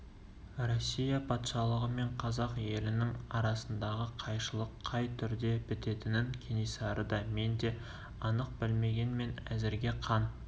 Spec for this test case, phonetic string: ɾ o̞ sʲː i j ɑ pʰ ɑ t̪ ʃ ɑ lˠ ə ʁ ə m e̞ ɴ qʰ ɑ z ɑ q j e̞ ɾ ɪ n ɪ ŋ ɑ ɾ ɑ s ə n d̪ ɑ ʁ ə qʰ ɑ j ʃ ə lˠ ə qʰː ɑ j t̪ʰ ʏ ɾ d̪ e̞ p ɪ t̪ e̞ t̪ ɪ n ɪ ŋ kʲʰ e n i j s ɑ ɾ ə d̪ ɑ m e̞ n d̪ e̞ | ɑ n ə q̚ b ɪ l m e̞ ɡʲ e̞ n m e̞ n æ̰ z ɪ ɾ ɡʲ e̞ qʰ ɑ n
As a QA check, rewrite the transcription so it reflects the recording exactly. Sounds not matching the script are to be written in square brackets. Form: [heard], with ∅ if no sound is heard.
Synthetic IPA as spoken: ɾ o̞ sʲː i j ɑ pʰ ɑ t̪ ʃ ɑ lˠ ə ʁ ə m e̞ ɴ qʰ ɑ z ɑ q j e̞ [l] ɪ n ɪ ŋ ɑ ɾ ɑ s ə n d̪ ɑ ʁ ə qʰ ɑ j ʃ ə lˠ ə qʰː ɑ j t̪ʰ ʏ ɾ d̪ e̞ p ɪ t̪ e̞ t̪ ɪ n ɪ ŋ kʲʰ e n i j s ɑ ɾ ə d̪ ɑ m e̞ n d̪ e̞ | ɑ n ə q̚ b ɪ l m e̞ ɡʲ e̞ n m e̞ n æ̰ z ɪ ɾ ɡʲ e̞ qʰ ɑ n

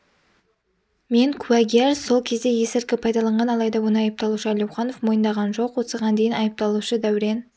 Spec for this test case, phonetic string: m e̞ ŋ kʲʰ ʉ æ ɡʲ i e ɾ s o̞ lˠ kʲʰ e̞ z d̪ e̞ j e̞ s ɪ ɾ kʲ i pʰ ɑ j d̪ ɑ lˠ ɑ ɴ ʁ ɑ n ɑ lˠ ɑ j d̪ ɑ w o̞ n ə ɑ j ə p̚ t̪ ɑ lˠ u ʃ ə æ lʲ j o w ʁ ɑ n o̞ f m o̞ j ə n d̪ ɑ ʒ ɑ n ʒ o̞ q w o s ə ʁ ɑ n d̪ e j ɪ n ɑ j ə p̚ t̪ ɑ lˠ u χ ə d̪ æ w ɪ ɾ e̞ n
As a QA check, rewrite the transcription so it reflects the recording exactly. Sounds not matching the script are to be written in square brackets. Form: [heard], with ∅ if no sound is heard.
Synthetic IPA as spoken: m e̞ ŋ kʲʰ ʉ æ ɡʲ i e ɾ s o̞ lˠ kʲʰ e̞ z d̪ e̞ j e̞ s ɪ ɾ kʲ [ɪ] pʰ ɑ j d̪ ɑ lˠ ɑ ɴ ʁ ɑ n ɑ lˠ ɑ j d̪ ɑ w o̞ n ə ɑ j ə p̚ t̪ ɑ lˠ u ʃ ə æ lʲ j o w [χ] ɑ n o̞ f m o̞ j ə n d̪ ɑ [ʁ] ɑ n ʒ o̞ q w o s ə ʁ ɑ n d̪ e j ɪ n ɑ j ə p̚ t̪ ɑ lˠ u [ʃ] ə d̪ æ w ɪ ɾ e̞ n

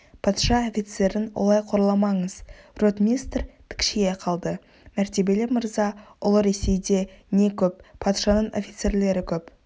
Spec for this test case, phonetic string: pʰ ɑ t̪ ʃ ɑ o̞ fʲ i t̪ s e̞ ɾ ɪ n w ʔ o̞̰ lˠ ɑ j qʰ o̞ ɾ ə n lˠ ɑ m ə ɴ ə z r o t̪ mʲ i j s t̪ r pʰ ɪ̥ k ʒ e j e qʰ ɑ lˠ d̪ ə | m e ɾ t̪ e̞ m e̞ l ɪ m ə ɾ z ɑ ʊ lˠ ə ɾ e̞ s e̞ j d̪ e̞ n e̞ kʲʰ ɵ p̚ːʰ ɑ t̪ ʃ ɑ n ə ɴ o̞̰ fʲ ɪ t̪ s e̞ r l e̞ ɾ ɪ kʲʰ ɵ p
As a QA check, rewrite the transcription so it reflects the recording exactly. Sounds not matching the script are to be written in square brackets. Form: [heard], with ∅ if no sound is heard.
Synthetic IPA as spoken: pʰ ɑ t̪ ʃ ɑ o̞ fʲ i t̪ s e̞ ɾ ɪ n w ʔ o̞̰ lˠ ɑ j qʰ o̞ ɾ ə [∅] lˠ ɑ m [ɑ] ɴ ə z r o t̪ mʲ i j s t̪ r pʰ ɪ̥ k [ʃ] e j e qʰ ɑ lˠ d̪ ə | m [æ] ɾ t̪ e̞ [b] e̞ l ɪ m ə ɾ z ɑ ʊ lˠ ə ɾ e̞ s e̞ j d̪ e̞ n e̞ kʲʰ ɵ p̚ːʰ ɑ t̪ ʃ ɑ n ə ɴ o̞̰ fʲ [i] t̪ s e̞ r l e̞ ɾ ɪ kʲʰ ɵ p

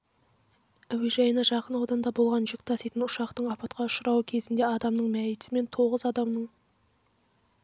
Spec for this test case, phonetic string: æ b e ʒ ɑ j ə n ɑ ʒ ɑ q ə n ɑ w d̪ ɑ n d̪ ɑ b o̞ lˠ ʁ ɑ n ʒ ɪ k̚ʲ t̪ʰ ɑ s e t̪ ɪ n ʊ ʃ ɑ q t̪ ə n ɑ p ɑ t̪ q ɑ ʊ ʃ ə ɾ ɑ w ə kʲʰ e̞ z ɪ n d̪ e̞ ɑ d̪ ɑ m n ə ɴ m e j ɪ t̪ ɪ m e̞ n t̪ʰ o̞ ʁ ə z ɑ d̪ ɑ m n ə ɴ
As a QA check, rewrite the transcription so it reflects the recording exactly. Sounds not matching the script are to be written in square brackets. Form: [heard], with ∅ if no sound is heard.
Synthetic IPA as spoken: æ [w] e ʒ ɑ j ə n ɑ ʒ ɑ q ə n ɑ w d̪ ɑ n d̪ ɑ b o̞ lˠ ʁ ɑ n ʒ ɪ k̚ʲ t̪ʰ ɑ s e t̪ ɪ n ʊ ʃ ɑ q t̪ ə [ɴ] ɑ p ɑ t̪ q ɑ ʊ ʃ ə ɾ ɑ w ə kʲʰ e̞ z ɪ n d̪ e̞ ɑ d̪ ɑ m n ə ɴ m [æ] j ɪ t̪ ɪ m e̞ n t̪ʰ o̞ ʁ ə z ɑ d̪ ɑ m n ə ɴ

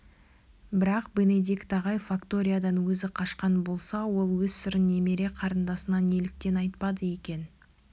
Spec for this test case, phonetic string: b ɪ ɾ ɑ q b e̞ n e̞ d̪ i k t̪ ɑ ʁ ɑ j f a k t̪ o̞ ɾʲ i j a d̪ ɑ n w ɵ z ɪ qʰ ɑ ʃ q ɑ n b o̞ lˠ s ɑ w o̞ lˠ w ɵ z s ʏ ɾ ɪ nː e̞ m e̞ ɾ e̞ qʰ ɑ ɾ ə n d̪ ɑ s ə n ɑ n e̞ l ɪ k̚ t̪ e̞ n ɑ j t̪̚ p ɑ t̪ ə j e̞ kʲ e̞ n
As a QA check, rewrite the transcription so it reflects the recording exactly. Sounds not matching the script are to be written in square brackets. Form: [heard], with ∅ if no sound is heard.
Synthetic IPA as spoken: b ɪ ɾ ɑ q b e̞ n e̞ d̪ i k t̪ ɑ ʁ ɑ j f a k t̪ o̞ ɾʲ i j a d̪ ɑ n w ɵ z ɪ qʰ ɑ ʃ q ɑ n b o̞ lˠ s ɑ w o̞ lˠ w ɵ z s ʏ ɾ ɪ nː e̞ m e̞ ɾ e̞ qʰ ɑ ɾ ə n d̪ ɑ s ə n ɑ n e̞ l ɪ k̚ t̪ e̞ n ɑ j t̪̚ p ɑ [d̪] ə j e̞ kʲ e̞ n

